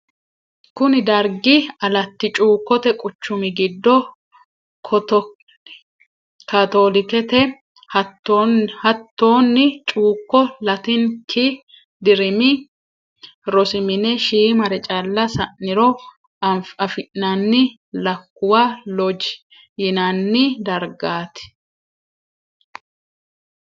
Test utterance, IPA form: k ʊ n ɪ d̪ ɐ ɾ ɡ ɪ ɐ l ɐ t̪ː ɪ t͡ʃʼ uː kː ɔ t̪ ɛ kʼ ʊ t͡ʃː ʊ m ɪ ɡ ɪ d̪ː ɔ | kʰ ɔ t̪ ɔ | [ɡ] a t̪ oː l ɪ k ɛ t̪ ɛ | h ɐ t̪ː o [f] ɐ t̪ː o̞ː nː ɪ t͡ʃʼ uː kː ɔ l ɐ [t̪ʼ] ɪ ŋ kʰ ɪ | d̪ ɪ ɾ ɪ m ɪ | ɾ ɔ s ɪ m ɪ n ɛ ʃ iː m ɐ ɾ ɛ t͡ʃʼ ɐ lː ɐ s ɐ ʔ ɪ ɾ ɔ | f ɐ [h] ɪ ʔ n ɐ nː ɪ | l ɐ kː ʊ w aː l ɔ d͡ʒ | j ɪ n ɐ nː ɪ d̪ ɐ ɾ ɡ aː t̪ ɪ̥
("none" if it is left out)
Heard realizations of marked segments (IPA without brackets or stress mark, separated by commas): k, h, t̪, f